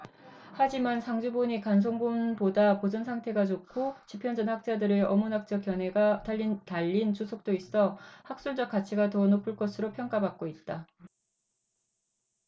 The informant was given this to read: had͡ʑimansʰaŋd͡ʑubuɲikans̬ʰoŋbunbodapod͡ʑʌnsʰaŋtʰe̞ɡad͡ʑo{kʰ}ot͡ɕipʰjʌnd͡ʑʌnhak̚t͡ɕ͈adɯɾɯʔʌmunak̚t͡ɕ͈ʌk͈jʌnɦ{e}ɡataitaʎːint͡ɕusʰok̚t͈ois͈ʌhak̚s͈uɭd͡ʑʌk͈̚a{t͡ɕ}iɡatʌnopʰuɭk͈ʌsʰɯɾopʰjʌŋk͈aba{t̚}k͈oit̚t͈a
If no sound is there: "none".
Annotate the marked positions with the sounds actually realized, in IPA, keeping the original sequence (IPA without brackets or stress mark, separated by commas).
kʰ, e, t͡ɕʰ, k̚